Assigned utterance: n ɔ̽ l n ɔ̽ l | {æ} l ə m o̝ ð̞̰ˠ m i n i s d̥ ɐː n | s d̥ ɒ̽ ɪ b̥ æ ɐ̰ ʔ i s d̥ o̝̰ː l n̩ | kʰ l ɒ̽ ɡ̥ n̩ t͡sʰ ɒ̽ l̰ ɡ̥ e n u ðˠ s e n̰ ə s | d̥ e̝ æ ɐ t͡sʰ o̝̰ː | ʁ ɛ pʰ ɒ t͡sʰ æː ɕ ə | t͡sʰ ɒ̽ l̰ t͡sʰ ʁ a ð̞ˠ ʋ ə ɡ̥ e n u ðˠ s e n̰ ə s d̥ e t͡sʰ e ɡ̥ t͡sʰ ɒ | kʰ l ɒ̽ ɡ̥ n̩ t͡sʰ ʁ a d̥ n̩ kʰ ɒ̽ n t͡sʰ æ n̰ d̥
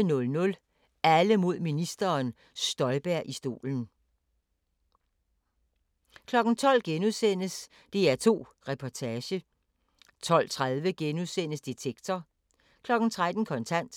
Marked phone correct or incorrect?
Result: correct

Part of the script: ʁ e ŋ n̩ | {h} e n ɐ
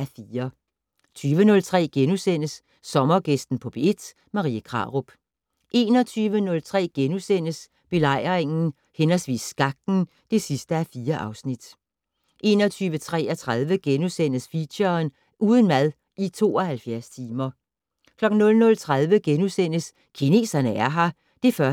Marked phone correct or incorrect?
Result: correct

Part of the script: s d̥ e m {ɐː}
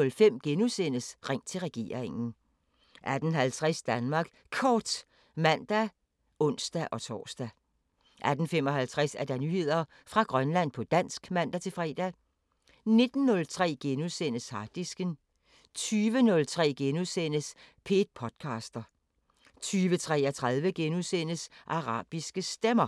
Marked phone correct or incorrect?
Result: incorrect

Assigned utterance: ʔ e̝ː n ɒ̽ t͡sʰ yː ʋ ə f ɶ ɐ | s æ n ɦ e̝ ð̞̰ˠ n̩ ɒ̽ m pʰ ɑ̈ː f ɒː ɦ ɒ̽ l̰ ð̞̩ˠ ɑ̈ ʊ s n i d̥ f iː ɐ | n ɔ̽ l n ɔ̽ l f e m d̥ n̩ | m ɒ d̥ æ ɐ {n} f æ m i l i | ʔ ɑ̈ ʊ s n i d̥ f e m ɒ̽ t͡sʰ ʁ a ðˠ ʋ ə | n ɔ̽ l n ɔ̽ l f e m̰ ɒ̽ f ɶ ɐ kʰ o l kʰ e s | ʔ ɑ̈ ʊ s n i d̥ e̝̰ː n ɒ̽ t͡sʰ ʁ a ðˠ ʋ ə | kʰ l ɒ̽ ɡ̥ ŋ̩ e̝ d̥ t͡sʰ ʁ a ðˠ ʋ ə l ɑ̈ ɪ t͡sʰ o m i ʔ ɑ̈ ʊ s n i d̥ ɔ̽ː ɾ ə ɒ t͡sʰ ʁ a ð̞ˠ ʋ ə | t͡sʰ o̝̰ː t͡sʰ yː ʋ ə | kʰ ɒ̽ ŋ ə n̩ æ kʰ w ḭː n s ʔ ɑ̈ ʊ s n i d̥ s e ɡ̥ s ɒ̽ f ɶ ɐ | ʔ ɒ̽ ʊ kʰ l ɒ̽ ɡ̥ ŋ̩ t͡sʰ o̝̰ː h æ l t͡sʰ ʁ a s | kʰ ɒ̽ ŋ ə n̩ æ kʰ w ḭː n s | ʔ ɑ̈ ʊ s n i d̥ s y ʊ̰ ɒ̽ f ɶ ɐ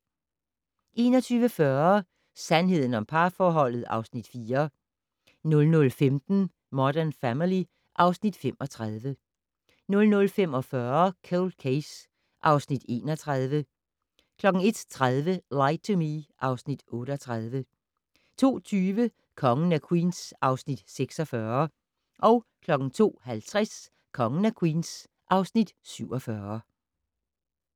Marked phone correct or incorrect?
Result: correct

